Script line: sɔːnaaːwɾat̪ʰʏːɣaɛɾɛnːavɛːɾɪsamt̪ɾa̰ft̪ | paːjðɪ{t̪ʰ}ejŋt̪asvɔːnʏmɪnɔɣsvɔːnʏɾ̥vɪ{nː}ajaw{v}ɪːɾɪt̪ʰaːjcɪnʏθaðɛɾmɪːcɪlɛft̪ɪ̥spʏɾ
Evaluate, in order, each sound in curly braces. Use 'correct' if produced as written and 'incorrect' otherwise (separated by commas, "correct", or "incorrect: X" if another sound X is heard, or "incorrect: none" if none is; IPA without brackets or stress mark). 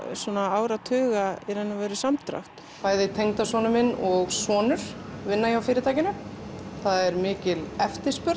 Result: correct, correct, incorrect: f